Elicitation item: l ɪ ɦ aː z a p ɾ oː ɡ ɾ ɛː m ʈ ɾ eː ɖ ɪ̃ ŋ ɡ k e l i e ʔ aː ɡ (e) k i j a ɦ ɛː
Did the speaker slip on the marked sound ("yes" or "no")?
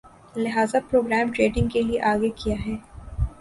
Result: no